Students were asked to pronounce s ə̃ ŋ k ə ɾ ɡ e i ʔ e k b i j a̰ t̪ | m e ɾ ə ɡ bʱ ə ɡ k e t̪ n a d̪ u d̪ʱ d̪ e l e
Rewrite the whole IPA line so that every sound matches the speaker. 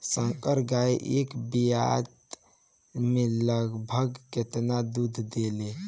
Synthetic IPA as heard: s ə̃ ŋ k ə ɾ ɡ a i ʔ e k b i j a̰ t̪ | m e l ə ɡ bʱ ə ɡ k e t̪ n a d̪ u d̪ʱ d̪ e l e